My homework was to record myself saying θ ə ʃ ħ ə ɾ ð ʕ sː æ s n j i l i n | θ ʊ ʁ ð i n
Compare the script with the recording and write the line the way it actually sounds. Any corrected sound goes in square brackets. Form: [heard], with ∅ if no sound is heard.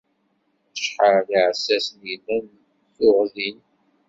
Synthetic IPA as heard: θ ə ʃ ħ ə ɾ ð ʕ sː æ s n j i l [æ] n | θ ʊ ʁ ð i n